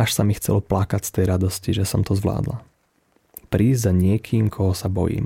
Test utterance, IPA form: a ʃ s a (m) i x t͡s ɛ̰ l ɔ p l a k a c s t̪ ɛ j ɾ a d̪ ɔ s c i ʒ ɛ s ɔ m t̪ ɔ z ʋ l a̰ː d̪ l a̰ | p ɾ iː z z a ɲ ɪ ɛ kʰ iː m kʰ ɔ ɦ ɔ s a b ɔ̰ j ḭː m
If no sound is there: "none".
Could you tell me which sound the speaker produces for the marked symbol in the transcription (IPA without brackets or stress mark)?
m